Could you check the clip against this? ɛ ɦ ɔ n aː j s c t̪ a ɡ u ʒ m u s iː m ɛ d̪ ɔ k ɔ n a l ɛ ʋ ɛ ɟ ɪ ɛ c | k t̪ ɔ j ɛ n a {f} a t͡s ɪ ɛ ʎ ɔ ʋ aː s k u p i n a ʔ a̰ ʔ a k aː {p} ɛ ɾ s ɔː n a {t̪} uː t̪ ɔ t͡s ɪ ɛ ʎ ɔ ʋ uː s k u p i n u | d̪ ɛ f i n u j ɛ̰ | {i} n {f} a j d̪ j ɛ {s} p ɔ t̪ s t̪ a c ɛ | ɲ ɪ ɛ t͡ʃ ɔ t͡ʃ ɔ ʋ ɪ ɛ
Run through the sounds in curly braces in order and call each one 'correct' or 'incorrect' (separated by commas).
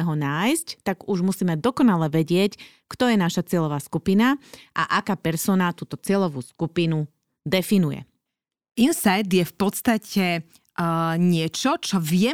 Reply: incorrect, correct, correct, correct, incorrect, incorrect